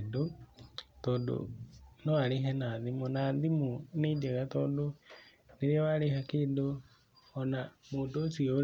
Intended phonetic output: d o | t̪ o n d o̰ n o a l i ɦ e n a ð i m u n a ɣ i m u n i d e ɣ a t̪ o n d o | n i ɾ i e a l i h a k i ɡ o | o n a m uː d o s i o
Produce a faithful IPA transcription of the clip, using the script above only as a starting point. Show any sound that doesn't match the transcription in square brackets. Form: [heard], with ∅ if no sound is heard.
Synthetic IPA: d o | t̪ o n d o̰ n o a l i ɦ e n a ð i m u n a [ð] i m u n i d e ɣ a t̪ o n d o | n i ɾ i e a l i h a k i [d] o | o n a m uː d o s i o